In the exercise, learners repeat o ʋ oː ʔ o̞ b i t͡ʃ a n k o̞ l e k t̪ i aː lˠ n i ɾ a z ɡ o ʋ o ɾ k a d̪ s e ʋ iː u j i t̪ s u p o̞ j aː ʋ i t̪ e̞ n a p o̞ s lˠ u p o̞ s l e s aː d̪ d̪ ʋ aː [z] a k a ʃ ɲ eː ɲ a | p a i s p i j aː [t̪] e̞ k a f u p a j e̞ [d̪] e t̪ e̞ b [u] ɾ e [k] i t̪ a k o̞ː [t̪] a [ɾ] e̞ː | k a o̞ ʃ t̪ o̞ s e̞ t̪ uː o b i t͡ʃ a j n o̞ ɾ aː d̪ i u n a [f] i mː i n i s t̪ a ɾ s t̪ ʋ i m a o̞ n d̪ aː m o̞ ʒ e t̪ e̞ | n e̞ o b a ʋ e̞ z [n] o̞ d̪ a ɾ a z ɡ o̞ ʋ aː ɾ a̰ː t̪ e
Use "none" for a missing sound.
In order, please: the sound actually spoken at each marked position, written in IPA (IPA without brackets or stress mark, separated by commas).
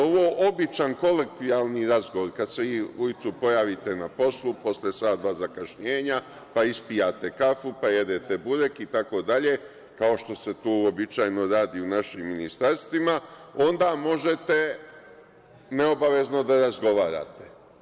z, t̪, d̪, u, k, d̪, ʎ, ʃ, n